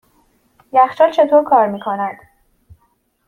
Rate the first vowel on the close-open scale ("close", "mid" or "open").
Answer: open